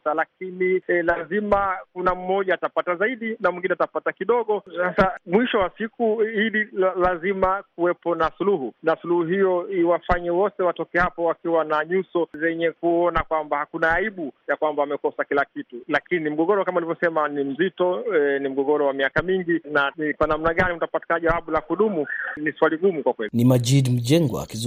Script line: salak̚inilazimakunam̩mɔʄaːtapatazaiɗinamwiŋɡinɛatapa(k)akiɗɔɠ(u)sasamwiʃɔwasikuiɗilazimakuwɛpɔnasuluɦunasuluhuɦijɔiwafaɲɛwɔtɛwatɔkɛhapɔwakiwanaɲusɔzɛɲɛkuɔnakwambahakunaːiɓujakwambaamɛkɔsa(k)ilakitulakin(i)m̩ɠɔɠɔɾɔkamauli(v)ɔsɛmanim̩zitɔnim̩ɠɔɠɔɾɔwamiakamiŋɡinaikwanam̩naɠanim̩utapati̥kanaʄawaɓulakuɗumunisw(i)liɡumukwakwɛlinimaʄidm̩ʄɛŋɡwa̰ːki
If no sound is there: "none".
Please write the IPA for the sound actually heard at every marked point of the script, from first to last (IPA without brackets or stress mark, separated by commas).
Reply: t, ɔ, k, i, v, a